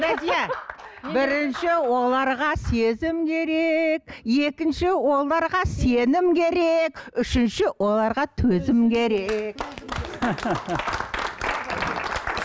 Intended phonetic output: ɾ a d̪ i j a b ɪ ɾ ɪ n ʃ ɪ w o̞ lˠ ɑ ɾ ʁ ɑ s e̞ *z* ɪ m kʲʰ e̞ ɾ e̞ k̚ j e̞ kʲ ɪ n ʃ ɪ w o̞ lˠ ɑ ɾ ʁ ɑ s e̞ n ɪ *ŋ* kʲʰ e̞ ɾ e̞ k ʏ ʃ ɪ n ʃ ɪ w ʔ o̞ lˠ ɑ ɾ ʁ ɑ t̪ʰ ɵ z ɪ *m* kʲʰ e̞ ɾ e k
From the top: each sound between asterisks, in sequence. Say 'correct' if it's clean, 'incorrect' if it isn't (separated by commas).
correct, incorrect, correct